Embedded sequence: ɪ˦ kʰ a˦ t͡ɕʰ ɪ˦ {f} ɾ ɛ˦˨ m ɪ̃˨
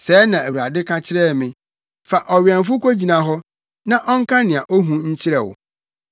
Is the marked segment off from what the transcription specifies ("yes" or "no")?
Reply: yes